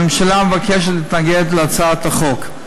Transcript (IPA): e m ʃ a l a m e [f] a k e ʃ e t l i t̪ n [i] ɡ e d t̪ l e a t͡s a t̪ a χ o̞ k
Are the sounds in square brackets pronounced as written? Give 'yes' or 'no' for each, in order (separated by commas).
no, no